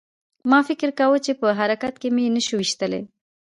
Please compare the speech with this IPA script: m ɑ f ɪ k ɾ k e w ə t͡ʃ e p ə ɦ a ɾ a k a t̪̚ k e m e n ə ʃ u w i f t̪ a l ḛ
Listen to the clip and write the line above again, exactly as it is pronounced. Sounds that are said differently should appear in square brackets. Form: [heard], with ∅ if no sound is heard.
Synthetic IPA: m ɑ f ɪ k ɾ k [a] w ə t͡ʃ e p ə ɦ a ɾ a k a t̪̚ k e m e n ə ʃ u w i [ʃ] t̪ [ə] l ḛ